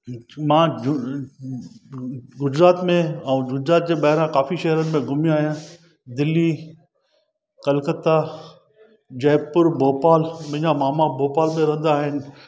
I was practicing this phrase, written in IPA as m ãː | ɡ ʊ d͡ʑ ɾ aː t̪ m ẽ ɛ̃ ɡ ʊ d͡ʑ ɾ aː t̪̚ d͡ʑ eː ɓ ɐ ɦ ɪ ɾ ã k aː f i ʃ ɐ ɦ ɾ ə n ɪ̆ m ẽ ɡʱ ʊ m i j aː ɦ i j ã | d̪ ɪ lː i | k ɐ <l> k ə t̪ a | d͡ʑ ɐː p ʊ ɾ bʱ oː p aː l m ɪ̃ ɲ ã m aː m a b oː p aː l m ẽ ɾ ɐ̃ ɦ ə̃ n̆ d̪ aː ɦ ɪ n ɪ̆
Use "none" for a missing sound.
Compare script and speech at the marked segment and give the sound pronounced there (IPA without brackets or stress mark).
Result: l